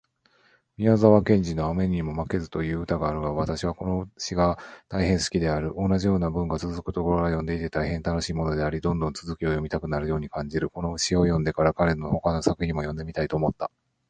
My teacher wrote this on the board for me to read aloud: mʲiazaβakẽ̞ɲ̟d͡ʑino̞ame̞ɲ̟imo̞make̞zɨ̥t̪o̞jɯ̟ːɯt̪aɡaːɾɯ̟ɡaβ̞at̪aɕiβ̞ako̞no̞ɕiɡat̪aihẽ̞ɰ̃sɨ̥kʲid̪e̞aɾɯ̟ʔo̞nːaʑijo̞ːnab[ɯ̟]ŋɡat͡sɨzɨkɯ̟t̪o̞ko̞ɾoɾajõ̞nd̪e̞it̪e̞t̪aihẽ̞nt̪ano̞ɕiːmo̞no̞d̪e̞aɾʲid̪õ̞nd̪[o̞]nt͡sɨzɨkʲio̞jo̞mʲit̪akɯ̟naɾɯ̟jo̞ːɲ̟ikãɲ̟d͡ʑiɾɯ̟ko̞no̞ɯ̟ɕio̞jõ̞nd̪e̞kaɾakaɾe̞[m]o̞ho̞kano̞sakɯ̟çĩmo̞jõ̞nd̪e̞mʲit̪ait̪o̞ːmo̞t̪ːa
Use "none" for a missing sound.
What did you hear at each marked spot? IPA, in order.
ɯ̟̃, õ̞, n

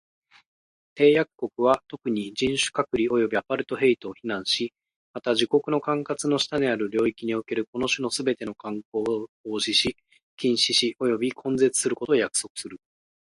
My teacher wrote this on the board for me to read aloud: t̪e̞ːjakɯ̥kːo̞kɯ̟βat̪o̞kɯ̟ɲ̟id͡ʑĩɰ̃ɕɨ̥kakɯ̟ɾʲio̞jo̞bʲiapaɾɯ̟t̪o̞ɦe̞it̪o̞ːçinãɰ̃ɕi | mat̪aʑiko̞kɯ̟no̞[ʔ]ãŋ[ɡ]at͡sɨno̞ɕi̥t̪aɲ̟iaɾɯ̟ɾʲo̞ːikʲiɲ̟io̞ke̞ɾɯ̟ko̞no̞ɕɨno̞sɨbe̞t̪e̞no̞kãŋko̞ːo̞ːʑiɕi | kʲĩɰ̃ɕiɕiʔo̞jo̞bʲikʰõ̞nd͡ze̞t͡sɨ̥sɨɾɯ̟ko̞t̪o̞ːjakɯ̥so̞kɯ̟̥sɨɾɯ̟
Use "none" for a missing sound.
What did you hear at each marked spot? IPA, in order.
k, k

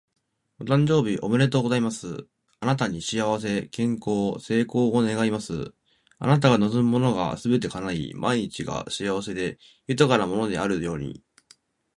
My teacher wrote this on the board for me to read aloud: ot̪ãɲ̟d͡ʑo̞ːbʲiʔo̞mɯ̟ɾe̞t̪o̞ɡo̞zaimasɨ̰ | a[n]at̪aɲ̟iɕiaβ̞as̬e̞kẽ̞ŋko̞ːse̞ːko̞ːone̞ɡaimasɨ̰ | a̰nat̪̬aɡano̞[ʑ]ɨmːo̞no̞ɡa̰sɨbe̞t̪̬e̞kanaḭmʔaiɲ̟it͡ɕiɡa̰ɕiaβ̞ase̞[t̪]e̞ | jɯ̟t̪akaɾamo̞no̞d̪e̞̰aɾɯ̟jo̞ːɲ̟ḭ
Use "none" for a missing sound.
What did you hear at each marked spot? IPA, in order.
n, z, d̪

